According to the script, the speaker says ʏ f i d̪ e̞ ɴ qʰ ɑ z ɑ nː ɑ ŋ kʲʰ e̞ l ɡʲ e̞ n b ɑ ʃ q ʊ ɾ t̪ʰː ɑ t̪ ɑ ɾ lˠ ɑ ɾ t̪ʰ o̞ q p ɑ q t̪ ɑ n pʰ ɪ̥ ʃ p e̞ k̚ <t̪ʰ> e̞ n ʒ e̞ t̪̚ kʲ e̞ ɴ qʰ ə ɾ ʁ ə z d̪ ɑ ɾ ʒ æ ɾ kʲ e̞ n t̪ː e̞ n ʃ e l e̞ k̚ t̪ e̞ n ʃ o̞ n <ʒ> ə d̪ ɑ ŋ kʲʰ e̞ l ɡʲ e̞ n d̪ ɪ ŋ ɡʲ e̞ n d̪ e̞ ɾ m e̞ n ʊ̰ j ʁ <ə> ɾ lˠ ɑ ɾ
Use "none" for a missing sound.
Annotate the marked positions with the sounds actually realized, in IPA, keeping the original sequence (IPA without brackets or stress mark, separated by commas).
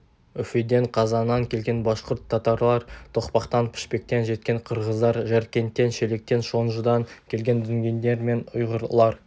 t̪, ʒ, ə